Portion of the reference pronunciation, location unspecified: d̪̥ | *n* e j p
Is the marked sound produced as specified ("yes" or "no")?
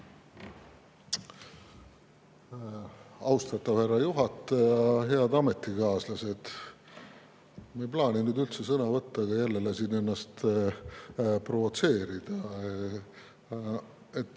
no